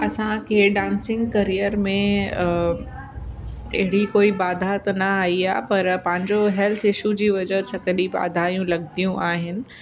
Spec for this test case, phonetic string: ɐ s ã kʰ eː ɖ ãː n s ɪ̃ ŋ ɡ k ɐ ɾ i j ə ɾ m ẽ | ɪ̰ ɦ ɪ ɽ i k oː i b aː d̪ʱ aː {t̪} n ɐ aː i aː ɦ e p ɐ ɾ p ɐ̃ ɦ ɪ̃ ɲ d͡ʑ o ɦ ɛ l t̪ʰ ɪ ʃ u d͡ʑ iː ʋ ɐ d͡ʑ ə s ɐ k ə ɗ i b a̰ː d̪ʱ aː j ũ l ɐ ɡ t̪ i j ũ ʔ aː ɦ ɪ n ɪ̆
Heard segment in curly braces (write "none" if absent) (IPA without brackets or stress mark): t̪